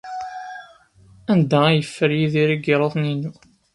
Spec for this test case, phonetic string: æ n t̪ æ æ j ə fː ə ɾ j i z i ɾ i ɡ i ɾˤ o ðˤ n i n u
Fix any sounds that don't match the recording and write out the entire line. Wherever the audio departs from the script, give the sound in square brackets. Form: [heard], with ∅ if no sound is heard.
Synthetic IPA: æ n [d̪] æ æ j ə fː ə ɾ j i [ð] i ɾ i ɡ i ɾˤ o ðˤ n i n u